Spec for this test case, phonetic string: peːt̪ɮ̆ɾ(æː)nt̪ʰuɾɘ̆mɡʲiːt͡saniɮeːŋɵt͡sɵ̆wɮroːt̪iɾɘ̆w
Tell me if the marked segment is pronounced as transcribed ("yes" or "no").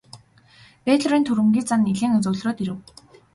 no